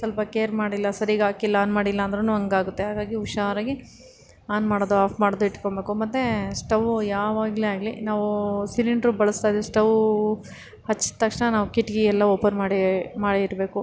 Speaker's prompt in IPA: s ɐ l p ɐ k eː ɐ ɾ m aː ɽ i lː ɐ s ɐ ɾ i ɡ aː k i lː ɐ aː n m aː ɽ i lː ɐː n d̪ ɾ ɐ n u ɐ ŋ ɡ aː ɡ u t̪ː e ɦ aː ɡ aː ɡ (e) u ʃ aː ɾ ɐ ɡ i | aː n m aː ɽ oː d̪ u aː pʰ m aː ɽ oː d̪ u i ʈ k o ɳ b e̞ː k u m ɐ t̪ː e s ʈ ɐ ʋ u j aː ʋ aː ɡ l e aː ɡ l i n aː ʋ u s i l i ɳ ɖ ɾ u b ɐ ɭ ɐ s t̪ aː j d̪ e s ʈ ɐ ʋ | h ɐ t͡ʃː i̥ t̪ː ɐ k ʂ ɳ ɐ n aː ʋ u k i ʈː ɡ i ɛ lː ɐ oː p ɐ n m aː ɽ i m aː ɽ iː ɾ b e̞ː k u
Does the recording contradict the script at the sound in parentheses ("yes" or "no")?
yes